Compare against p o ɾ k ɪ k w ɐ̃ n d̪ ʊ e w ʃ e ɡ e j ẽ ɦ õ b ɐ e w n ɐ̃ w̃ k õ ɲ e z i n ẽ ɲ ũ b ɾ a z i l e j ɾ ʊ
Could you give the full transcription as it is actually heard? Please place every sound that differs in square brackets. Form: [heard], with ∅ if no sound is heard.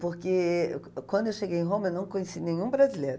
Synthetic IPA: p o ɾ k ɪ k w ɐ̃ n d̪ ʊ e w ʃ e ɡ e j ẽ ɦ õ [m] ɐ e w n ɐ̃ w̃ k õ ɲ e [s] i n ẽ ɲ ũ b ɾ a z i l e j ɾ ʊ

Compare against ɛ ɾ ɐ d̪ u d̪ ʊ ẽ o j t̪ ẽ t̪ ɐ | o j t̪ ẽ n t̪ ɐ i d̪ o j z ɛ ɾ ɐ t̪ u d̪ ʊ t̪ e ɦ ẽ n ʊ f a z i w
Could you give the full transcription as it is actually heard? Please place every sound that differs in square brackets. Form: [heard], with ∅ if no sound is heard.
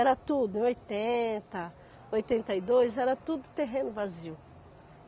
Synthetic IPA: ɛ ɾ ɐ [t̪] u d̪ ʊ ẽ o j t̪ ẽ t̪ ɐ | o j t̪ ẽ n t̪ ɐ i d̪ o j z ɛ ɾ ɐ t̪ u d̪ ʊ t̪ e ɦ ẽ n ʊ [v] a z i w

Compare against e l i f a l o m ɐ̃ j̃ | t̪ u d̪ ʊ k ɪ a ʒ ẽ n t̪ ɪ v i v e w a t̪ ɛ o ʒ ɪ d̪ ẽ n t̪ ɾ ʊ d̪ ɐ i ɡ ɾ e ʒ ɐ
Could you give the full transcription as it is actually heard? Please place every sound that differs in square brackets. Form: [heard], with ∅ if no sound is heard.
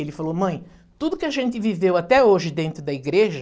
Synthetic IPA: e l [ɪ] f a l o m ɐ̃ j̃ | t̪ u d̪ ʊ k ɪ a ʒ ẽ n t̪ ɪ v i v e w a t̪ ɛ o ʒ ɪ d̪ ẽ n t̪ ɾ ʊ d̪ ɐ i ɡ ɾ e ʒ ɐ

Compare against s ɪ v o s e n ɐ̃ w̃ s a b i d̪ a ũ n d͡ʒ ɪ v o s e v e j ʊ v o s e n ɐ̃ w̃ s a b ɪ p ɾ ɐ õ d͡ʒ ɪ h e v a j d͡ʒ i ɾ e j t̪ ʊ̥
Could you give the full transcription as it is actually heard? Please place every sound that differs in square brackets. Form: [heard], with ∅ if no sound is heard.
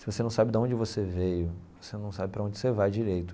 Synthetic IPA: s ɪ v o s e n ɐ̃ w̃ s a b [ɪ] d̪ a [õ] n d͡ʒ ɪ v o s e v e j ʊ v o s e n ɐ̃ w̃ s a b ɪ p ɾ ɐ õ d͡ʒ ɪ [s] e v a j d͡ʒ i ɾ e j t̪ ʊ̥

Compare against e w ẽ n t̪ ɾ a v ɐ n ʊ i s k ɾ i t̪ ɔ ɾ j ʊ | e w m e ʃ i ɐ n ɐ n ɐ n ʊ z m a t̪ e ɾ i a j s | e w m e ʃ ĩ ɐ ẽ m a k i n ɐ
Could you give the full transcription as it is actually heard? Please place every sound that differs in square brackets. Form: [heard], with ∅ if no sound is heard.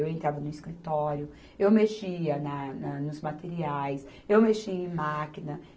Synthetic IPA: e w ẽ n t̪ ɾ a v ɐ n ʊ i s k ɾ i t̪ ɔ ɾ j ʊ | e w m e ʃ i ɐ n ɐ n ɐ n ʊ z m a t̪ e ɾ i a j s | e w m e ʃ [i] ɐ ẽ m a k i n ɐ

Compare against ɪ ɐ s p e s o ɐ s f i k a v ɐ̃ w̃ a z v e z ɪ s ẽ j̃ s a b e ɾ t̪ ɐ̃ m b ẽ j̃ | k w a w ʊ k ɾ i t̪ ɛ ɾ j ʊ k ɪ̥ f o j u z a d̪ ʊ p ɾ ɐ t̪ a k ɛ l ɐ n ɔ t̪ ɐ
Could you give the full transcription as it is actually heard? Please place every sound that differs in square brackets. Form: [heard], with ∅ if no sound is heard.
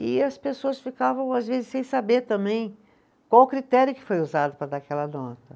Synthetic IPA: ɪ ɐ s p e s o ɐ s f i k a v ɐ̃ w̃ a z v e z ɪ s ẽ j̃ s a b e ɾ t̪ ɐ̃ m b ẽ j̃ | k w a w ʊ k ɾ i t̪ ɛ ɾ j ʊ k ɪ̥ f o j u z a d̪ ʊ p ɾ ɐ [d̪] a k ɛ l ɐ n ɔ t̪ ɐ

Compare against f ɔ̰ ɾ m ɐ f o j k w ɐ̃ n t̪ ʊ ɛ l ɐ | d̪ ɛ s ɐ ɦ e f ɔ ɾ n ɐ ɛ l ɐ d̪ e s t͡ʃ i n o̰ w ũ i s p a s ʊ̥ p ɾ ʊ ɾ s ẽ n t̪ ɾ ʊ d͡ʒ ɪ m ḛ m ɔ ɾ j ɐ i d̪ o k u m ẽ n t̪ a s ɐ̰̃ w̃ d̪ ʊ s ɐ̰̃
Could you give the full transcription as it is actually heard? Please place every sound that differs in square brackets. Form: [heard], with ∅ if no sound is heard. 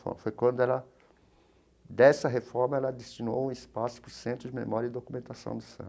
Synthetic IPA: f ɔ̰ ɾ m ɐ f o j k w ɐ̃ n [d̪] ʊ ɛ l ɐ | d̪ ɛ s ɐ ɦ e f ɔ ɾ [m] ɐ ɛ l ɐ d̪ e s t͡ʃ i n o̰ w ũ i s p a s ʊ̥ p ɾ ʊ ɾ s ẽ n t̪ ɾ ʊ d͡ʒ ɪ m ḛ m ɔ ɾ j ɐ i d̪ o k u m ẽ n t̪ a s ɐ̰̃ w̃ d̪ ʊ s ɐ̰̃

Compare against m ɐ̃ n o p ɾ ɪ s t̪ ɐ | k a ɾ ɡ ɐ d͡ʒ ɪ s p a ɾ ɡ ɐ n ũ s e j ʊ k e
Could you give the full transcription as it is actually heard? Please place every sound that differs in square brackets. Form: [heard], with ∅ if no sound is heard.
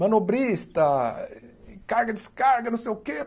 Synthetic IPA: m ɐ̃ n o [b] ɾ [i] s t̪ ɐ | k a ɾ ɡ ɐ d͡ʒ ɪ s [k] a ɾ ɡ ɐ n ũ s e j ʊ k e

